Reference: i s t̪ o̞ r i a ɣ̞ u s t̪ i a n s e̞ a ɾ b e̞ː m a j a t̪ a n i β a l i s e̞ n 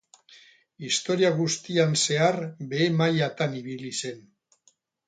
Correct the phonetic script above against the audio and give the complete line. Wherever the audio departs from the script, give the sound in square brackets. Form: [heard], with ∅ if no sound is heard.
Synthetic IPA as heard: i s t̪ o̞ [ɾ] i a ɣ̞ u s t̪ i a n s e̞ a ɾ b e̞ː m a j a t̪ a n i β [i] l i s e̞ n